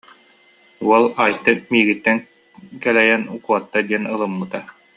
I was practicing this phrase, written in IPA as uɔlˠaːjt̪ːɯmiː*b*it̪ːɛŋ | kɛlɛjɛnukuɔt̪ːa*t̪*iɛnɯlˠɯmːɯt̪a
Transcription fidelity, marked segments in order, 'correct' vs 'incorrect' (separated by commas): incorrect, incorrect